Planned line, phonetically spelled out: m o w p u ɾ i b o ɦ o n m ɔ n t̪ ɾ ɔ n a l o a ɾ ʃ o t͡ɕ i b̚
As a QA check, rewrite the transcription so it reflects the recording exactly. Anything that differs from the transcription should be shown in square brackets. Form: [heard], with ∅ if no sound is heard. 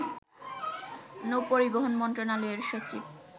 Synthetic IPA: [n] o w p [o] ɾ i b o ɦ o n m ɔ n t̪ ɾ [o] n a l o [e] ɾ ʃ o t͡ɕ i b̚